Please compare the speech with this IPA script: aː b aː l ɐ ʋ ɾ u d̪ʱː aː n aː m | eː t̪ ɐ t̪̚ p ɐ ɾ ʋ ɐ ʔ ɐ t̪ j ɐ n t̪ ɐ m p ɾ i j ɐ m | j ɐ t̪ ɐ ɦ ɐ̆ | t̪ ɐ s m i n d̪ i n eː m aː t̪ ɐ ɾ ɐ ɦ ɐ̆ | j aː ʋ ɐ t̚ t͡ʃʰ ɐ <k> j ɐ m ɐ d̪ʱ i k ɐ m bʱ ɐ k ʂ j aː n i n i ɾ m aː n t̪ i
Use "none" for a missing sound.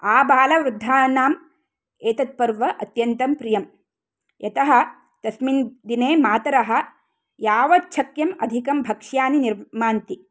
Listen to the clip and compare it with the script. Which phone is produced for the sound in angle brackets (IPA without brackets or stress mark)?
k